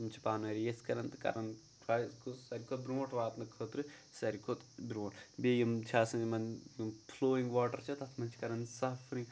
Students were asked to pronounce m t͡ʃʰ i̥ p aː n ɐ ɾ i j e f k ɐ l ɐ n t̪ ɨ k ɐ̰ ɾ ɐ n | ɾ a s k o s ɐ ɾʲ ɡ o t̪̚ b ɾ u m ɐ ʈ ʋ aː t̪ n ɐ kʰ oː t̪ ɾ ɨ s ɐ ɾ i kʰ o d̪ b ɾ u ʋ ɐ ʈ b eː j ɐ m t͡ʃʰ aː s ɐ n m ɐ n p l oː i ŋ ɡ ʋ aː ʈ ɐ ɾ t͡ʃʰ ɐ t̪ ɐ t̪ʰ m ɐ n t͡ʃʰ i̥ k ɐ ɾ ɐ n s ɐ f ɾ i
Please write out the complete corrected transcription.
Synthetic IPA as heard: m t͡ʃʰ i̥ p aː n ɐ ɾ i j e s k ɐ ɾ ɐ n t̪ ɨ k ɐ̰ ɾ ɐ n | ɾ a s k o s ɐ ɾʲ k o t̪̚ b ɾ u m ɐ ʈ ʋ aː t̪ n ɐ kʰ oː t̪ ɾ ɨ s ɐ ɾ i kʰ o t̪ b ɾ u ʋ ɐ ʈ b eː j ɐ m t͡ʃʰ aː s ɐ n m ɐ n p l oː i ŋ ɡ ʋ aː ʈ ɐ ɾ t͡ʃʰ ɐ t̪ ɐ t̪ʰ m ɐ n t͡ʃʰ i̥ k ɐ ɾ ɐ n s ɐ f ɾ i